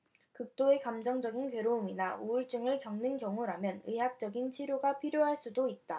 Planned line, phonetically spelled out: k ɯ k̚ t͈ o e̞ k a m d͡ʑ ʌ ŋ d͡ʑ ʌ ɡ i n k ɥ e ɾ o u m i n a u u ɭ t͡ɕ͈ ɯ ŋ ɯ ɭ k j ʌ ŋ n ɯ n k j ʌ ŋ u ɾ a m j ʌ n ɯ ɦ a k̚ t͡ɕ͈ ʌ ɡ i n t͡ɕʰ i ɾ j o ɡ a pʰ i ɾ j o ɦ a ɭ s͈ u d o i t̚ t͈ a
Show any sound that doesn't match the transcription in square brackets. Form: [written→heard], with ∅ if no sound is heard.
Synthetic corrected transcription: k ɯ k̚ t͈ o e̞ k a m d͡ʑ ʌ ŋ d͡ʑ ʌ ɡ i n k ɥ e ɾ o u m i n a u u ɭ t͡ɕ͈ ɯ ŋ ɯ ɭ k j ʌ ŋ n ɯ n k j ʌ ŋ u ɾ a m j ʌ n ɯ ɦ a k̚ t͡ɕ͈ ʌ ɡ i n t͡ɕʰ i ɾ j o ɡ a pʰ i ɾ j o ɦ a ɭ s͈ u d o i t̚ t͈ a